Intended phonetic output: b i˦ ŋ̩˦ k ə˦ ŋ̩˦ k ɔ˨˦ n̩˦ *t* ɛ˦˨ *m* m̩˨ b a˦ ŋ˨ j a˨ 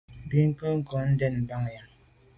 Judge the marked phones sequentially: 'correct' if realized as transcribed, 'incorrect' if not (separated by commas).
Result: incorrect, incorrect